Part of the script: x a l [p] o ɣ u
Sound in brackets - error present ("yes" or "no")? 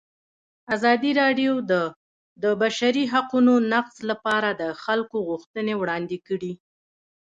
yes